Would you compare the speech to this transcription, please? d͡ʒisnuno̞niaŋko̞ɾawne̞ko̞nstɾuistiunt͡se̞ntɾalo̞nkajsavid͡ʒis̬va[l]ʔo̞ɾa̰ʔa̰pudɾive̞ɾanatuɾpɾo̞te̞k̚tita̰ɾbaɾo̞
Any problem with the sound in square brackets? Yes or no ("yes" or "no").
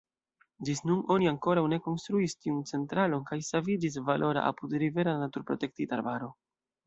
no